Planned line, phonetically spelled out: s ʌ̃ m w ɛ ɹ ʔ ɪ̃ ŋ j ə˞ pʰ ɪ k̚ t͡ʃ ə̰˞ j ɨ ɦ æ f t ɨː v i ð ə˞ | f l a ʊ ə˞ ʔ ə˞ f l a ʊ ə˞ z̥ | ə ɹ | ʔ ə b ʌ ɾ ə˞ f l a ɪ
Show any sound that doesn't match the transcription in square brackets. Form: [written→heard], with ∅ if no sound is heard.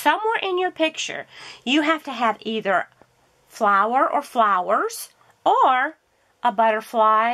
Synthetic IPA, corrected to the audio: s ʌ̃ m w ɛ ɹ ʔ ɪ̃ [ŋ→n] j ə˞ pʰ ɪ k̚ t͡ʃ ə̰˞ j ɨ ɦ æ f t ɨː v i ð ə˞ | f l a ʊ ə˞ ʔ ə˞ f l a ʊ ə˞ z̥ | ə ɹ | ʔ ə b ʌ ɾ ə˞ f l a ɪ